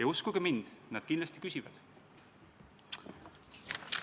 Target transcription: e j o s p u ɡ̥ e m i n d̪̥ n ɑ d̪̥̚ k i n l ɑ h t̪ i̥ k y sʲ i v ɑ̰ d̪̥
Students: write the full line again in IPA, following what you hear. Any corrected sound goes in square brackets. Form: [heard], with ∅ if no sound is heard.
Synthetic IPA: e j [u] s [k] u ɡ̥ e m i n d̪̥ n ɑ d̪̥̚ k i n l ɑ [s] t̪ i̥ k y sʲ i v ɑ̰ d̪̥